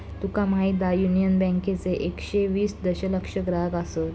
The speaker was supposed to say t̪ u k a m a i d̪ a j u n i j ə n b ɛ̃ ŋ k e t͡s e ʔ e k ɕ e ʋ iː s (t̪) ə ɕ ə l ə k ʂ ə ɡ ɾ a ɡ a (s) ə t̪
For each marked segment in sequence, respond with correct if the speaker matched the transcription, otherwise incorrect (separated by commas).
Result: incorrect, correct